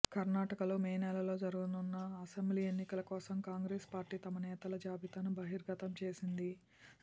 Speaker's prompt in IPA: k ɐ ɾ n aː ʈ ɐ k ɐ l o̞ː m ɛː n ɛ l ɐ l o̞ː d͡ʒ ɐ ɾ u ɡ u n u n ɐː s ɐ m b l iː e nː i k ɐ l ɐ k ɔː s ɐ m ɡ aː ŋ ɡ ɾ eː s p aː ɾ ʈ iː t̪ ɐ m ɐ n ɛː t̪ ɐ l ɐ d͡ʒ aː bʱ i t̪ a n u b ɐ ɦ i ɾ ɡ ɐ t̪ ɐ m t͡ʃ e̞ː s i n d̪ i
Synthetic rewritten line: k ɐ ɾ n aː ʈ ɐ k ɐ l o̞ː m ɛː n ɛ l ɐ l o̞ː d͡ʒ ɐ ɾ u ɡ u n u nː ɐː s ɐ m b l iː e nː i k ɐ l ɐ k ɔː s ɐ m k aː ŋ ɡ ɾ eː s p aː ɾ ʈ iː t̪ ɐ m ɐ n ɛː t̪ ɐ l ɐ d͡ʒ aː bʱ i t̪ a n u b ɐ ɦ i ɾ ɡ ɐ t̪ ɐ m t͡ʃ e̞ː s i n d̪ i